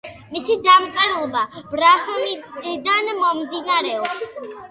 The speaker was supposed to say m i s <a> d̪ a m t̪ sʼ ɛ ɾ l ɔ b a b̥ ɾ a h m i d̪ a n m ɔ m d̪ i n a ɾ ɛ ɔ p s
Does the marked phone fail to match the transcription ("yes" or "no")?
yes